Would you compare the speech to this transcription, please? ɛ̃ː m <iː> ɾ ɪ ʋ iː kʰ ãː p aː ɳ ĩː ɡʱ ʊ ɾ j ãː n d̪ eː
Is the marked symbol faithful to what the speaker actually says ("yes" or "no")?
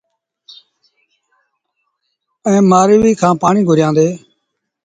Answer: no